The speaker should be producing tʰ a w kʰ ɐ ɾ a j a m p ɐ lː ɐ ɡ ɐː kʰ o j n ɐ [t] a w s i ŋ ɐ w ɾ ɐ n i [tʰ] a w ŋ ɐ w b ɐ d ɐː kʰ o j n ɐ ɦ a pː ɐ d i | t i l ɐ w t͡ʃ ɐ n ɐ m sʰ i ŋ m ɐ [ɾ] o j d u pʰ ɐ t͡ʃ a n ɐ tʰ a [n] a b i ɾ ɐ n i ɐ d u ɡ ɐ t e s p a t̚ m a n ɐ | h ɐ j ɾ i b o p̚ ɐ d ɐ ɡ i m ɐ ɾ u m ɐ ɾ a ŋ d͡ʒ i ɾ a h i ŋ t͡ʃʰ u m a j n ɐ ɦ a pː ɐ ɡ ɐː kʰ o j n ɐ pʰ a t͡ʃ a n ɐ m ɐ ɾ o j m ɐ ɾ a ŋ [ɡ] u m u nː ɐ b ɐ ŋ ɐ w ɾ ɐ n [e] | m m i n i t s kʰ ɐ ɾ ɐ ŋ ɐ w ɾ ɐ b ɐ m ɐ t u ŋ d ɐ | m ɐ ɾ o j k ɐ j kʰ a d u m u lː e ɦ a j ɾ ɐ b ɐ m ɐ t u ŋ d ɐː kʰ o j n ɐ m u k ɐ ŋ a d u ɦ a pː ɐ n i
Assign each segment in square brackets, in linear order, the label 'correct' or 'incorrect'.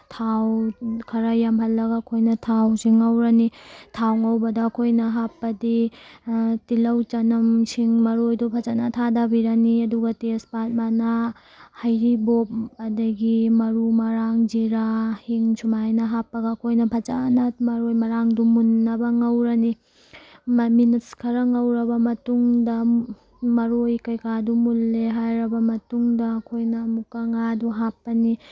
incorrect: tʰ, correct, correct, incorrect: d, incorrect: d, incorrect: i

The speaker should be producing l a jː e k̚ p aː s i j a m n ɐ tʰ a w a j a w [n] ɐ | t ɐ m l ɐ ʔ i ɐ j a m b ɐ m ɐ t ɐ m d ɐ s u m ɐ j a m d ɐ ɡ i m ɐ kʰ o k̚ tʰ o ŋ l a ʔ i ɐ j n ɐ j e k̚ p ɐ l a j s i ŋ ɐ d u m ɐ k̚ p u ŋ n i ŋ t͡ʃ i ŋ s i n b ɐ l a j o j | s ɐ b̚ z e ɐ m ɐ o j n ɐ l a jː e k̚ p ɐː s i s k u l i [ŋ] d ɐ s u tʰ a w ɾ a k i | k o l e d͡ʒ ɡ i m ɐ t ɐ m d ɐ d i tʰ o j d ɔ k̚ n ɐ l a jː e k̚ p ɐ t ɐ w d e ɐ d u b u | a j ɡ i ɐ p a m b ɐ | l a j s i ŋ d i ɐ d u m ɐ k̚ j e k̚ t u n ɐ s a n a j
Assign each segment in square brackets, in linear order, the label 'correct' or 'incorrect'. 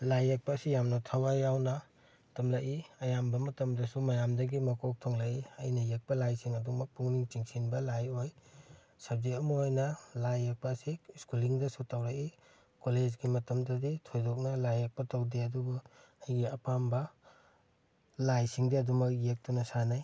correct, correct

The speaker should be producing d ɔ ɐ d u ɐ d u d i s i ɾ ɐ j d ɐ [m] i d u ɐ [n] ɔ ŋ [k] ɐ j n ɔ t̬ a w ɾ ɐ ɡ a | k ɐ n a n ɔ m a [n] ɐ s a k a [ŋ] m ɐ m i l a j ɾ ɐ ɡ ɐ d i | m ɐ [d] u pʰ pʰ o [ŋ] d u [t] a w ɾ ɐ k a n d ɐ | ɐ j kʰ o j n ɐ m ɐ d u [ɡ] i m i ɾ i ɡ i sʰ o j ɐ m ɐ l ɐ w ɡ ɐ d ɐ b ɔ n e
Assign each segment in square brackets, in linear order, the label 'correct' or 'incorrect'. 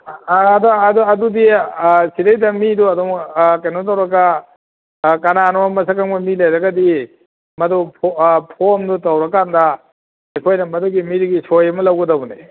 correct, incorrect: d, correct, incorrect: m, correct, correct, incorrect: m, correct, correct

